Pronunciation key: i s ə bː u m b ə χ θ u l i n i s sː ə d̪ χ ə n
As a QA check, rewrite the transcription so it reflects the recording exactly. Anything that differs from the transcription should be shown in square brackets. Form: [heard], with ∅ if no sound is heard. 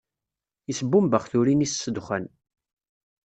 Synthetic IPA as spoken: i s ə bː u m b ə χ θ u [ɾ] i n i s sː ə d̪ χ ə n